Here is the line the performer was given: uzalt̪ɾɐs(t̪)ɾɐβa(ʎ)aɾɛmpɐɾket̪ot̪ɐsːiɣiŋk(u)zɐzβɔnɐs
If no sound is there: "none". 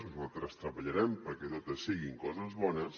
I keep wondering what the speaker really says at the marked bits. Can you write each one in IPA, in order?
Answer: t̪, ʎ, ɔ

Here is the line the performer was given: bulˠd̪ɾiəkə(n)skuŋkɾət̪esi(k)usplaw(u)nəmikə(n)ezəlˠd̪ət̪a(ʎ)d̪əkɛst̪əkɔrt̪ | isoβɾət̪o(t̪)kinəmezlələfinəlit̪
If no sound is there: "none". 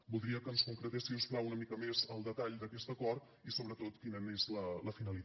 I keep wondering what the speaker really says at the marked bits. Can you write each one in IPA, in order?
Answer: n, none, u, m, ʎ, t̪

